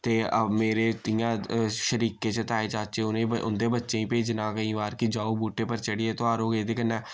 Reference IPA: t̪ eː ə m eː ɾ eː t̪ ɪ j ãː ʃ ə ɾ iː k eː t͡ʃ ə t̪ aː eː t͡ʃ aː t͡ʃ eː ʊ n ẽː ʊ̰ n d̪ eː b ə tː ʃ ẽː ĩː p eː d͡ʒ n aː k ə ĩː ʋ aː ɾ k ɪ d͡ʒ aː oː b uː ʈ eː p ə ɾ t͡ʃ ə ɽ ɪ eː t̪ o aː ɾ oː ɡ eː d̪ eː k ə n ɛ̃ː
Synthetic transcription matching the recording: t̪ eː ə m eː ɾ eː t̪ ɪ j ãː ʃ ə ɾ iː k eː t͡ʃ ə t̪ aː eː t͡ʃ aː t͡ʃ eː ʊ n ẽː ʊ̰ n d̪ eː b ə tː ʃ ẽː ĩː p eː d͡ʒ n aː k ə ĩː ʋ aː ɾ k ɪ d͡ʒ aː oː b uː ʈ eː p ə ɾ t͡ʃ ə ɽ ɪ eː t̪ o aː ɾ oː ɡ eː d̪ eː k ə n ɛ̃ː